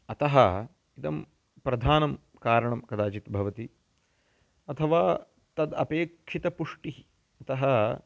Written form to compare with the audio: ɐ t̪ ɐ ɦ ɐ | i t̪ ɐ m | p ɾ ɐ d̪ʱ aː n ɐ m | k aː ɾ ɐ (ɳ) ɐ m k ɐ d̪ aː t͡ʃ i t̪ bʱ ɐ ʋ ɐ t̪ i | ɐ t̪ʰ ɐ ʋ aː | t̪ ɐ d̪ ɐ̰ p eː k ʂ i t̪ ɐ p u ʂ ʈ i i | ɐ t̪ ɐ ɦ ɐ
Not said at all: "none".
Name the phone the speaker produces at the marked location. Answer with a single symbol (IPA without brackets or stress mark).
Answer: ɳ